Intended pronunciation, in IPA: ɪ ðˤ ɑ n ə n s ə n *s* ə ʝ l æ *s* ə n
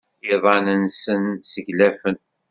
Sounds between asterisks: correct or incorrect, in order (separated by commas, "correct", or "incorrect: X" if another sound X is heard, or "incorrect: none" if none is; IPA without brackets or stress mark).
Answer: correct, incorrect: f